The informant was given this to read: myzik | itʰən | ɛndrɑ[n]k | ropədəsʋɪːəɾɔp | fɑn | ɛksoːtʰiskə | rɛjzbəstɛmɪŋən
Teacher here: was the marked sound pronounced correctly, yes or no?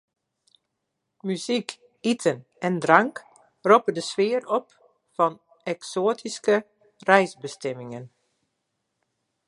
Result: no